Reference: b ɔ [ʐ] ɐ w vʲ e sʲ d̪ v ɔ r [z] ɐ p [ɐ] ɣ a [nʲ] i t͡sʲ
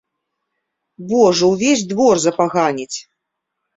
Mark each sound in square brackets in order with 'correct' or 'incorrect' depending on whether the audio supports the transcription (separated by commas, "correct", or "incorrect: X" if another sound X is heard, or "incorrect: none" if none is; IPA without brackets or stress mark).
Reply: correct, correct, incorrect: a, correct